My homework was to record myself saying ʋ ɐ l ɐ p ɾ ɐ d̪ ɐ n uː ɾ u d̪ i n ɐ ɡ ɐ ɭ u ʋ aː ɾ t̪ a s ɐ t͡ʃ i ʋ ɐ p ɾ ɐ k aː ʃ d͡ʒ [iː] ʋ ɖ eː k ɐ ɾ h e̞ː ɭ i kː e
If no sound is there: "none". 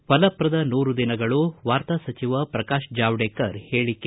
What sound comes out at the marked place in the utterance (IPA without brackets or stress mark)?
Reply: aː